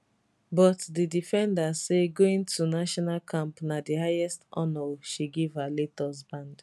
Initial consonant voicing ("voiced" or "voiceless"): voiced